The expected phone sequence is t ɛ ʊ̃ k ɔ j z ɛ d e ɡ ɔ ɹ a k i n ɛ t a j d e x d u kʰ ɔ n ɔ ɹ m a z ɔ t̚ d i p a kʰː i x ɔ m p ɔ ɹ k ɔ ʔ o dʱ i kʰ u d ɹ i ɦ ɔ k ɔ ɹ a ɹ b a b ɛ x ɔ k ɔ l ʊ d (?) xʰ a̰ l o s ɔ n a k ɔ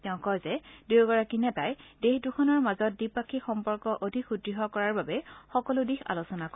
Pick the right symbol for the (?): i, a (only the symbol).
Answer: i